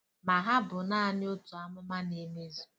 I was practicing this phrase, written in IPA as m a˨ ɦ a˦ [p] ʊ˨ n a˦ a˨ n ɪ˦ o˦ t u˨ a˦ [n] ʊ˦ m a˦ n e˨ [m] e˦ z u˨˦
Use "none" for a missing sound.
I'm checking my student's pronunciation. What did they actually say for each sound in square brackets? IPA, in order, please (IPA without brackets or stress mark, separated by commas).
b, m, m